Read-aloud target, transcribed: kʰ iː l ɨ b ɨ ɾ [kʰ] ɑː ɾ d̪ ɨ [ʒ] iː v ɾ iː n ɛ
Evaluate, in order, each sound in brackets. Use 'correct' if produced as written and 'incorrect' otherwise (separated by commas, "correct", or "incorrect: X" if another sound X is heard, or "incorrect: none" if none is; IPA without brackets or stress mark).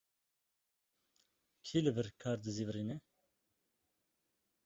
correct, incorrect: z